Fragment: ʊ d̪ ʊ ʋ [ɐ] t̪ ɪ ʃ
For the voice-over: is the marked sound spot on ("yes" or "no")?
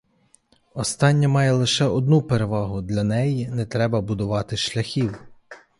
no